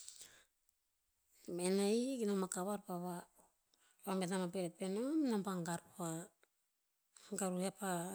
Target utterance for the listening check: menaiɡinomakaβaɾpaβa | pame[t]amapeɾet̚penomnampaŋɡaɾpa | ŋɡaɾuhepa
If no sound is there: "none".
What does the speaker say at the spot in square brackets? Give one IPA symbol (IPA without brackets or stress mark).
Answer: t